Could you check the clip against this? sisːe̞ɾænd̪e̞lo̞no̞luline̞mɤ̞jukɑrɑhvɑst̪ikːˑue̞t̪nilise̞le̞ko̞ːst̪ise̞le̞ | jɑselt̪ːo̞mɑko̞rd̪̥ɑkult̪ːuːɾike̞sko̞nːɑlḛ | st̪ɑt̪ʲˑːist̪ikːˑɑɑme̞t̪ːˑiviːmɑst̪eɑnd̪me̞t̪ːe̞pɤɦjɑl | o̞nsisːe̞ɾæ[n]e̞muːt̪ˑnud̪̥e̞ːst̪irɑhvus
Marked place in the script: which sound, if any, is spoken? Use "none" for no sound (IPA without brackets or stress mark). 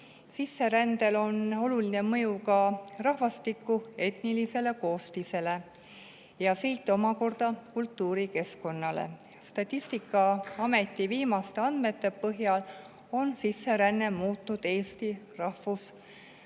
nː